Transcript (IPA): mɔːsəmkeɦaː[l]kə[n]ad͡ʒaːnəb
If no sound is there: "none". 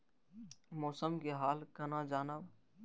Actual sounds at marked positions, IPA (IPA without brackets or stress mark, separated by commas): l, n